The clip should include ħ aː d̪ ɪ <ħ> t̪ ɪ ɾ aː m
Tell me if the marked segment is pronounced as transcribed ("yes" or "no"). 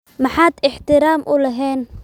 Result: yes